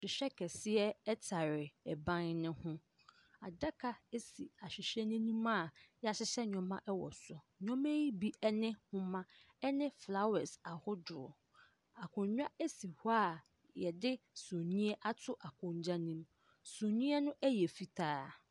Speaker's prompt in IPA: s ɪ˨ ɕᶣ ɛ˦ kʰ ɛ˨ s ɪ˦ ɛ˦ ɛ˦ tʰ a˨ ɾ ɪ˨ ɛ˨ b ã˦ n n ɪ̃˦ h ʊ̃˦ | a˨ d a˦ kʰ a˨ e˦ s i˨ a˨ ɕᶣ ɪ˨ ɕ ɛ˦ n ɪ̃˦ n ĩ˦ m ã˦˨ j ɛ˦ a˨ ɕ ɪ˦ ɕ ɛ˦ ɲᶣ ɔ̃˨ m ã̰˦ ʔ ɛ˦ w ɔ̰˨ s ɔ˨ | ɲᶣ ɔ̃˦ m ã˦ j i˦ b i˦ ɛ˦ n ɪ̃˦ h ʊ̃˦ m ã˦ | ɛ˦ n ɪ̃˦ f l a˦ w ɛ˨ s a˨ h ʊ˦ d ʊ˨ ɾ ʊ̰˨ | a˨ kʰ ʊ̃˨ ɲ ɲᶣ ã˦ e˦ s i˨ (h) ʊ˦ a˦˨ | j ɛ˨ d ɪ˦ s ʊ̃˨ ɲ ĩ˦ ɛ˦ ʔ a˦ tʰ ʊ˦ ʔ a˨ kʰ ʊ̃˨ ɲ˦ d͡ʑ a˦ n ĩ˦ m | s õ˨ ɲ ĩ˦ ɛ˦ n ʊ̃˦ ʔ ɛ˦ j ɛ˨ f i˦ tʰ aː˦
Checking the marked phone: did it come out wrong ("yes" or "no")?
no